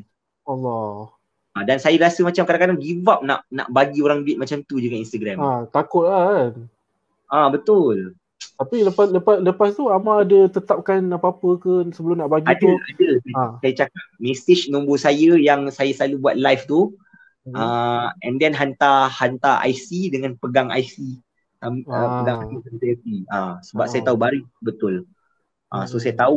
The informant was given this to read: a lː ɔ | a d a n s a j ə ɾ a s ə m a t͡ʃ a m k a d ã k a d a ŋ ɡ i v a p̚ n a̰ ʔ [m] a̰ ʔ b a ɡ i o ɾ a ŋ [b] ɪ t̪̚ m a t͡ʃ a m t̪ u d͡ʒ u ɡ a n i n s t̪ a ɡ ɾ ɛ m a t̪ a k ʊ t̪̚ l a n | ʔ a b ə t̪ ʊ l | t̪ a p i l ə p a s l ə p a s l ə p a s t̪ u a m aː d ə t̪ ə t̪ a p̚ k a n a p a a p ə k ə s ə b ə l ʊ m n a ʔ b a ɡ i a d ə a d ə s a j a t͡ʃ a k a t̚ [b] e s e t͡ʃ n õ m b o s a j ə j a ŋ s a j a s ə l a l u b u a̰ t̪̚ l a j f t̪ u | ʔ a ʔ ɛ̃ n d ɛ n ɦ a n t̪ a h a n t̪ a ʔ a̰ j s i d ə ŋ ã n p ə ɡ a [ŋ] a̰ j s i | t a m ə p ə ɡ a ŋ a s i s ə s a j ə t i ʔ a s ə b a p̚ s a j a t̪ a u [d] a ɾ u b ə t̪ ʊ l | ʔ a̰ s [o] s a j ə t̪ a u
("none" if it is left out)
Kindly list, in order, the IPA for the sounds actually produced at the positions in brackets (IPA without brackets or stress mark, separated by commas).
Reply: n, b, m, ŋ, b, o